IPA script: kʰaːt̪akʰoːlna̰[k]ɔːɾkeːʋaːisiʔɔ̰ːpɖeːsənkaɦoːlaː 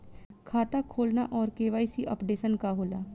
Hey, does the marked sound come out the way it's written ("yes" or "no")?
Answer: no